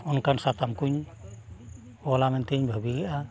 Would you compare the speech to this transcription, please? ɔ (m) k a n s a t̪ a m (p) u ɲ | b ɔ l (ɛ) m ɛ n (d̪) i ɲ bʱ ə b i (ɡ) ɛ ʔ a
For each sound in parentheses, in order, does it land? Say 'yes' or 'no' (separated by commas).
no, no, no, no, yes